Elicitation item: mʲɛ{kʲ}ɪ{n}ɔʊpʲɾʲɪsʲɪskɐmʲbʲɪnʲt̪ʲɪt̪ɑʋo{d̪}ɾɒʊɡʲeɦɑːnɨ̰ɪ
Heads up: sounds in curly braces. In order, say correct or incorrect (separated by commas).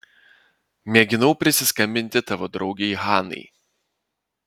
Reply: incorrect, correct, correct